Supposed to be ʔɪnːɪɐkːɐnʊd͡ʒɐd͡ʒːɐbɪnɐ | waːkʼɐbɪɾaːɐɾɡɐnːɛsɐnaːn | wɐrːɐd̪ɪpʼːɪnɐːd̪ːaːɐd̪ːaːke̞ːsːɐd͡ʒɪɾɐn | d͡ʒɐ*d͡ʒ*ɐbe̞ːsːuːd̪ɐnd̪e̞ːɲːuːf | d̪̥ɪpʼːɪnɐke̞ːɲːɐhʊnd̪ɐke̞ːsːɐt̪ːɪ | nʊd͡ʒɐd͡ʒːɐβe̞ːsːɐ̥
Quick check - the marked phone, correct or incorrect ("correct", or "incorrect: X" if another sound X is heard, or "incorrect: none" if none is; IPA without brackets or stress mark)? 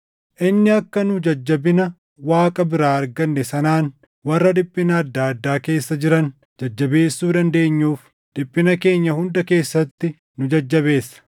incorrect: d͡ʒː